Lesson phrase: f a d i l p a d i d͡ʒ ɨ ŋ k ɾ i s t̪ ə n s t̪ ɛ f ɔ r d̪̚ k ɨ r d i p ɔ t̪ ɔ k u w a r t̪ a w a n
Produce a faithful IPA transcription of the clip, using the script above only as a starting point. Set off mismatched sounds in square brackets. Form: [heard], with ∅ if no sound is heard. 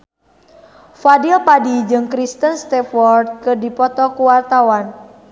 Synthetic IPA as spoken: f a d i l p a d i d͡ʒ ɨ ŋ k ɾ i s t̪ ə n s t̪ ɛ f ɔ r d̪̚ k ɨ r d i p ɔ t̪ ɔ k u w a r t̪ a w a n